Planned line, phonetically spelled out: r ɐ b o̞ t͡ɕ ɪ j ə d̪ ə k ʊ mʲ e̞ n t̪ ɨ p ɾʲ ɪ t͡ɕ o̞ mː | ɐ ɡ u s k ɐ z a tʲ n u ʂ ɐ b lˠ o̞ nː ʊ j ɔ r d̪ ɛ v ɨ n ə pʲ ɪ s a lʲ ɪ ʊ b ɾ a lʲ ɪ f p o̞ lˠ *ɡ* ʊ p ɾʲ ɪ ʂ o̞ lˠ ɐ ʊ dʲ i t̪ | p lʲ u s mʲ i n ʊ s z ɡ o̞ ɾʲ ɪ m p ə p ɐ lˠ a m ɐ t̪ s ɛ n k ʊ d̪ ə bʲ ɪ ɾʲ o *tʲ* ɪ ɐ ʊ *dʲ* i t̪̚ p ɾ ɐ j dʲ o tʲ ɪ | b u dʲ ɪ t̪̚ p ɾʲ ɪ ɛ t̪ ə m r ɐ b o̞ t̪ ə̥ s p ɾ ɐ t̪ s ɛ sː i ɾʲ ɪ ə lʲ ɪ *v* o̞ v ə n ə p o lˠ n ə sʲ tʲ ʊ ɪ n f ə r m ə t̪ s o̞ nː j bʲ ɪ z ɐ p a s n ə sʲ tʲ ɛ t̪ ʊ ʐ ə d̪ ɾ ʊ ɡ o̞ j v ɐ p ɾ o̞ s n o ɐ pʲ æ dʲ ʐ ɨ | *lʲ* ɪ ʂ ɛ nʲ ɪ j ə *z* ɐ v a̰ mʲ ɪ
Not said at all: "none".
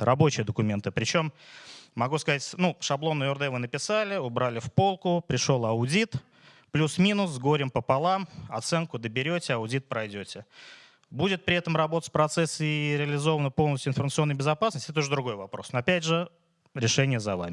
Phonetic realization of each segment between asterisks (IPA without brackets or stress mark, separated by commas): k, tʲ, dʲ, z, ɾʲ, z